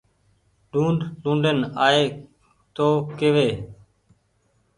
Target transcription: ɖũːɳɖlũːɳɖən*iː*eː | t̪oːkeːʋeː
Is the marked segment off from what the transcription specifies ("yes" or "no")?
yes